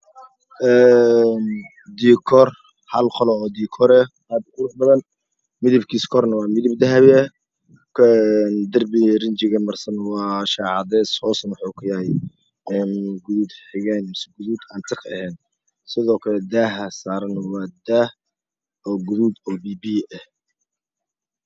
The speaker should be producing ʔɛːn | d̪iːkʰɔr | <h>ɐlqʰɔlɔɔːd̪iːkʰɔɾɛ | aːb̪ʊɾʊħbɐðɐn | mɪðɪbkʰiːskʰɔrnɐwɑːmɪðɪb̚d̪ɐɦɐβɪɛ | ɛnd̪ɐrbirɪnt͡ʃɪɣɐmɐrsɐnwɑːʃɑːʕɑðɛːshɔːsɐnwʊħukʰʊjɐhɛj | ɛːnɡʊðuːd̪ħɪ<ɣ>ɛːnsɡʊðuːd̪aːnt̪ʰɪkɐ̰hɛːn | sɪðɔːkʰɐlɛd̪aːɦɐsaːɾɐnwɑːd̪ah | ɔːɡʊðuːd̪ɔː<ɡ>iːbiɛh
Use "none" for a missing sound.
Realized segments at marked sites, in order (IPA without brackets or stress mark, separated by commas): h, ɣ, b